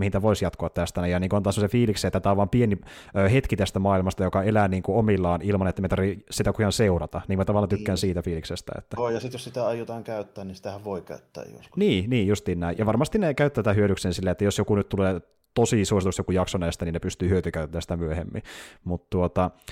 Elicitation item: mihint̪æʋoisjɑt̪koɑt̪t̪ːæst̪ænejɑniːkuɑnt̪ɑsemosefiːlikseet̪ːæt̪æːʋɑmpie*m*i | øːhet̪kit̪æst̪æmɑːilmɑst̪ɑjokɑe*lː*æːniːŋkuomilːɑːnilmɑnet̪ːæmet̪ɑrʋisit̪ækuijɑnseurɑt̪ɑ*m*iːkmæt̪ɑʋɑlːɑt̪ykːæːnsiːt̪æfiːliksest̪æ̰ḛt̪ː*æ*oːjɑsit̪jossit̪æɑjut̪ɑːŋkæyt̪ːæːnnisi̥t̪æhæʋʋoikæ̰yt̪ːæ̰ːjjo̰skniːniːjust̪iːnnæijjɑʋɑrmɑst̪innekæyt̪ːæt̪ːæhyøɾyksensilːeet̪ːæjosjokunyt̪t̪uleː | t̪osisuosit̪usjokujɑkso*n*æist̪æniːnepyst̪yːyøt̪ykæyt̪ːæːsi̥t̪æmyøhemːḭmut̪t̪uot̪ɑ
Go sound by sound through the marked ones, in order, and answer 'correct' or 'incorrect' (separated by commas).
incorrect, incorrect, incorrect, correct, correct